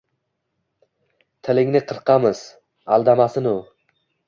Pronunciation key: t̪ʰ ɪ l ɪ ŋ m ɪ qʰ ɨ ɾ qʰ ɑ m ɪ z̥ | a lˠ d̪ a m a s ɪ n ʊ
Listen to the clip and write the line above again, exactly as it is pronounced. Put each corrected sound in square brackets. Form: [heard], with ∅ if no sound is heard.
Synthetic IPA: t̪ʰ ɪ l ɪ ŋ [n] ɪ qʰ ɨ ɾ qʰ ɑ m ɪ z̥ | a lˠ d̪ a m a s ɪ n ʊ